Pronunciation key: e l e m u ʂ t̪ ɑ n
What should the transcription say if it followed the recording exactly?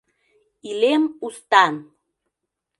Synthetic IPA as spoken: i l e m u s t̪ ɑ n